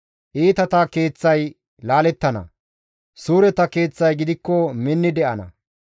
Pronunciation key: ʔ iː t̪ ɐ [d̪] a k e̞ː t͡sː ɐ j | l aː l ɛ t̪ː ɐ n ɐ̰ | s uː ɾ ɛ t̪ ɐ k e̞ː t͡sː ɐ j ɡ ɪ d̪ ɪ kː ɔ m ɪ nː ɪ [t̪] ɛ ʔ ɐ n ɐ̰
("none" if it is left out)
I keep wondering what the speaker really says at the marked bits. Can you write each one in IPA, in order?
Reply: t̪, d̪

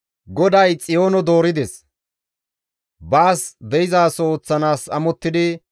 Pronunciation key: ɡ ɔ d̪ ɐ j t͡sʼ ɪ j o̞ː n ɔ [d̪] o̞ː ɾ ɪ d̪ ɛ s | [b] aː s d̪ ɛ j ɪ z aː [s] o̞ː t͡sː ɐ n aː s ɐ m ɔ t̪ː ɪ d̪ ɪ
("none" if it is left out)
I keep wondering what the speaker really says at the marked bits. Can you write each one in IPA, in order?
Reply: d̪, b, s

